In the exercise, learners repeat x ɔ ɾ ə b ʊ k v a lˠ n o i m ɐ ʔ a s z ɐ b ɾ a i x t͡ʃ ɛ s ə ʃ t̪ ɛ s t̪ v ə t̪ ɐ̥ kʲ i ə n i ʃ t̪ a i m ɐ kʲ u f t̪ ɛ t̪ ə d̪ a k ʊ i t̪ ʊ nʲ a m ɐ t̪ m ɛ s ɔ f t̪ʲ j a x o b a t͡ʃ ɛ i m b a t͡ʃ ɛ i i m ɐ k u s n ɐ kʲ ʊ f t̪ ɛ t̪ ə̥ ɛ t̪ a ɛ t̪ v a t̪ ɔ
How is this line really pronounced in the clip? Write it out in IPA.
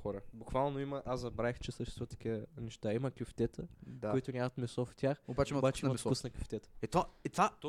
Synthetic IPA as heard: x ɔ ɾ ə b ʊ k v a lˠ n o i m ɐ ʔ a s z ɐ b ɾ a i x t͡ʃ ɛ s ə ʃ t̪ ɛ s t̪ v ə t̪ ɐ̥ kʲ i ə n ɛ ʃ t̪ a i m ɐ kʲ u f t̪ ɛ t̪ ə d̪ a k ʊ i t̪ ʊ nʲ a m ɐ t̪ m ɛ s ɔ f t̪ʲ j a x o b a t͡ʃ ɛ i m b a t͡ʃ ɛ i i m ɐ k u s n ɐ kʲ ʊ f t̪ ɛ t̪ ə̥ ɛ t̪ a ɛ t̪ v a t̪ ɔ